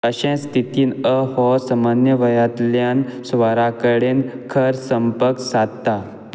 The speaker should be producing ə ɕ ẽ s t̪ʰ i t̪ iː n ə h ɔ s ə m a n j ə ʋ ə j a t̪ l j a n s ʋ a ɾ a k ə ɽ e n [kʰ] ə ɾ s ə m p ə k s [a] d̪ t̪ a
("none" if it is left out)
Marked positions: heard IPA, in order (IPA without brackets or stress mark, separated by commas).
kʰ, a